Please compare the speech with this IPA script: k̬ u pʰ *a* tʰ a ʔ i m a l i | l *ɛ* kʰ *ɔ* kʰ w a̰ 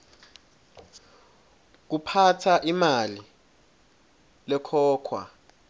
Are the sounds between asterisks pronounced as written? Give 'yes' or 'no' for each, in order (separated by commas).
yes, yes, no